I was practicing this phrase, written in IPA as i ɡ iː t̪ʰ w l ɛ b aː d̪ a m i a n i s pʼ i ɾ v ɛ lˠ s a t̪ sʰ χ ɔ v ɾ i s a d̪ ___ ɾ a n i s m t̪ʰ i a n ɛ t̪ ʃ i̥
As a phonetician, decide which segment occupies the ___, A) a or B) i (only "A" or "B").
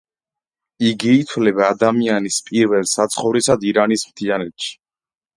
B